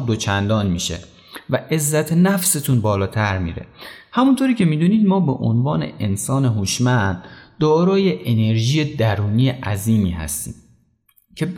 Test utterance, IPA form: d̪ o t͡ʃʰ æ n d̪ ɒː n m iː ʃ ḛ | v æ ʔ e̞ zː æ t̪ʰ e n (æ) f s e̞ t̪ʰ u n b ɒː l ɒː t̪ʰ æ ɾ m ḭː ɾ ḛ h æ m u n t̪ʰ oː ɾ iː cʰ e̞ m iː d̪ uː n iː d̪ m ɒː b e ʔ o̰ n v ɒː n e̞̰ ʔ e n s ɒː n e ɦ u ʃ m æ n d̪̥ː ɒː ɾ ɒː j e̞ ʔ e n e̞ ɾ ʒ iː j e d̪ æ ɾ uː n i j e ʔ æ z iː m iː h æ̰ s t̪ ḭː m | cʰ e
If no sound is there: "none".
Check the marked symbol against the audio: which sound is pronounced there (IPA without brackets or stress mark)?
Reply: æ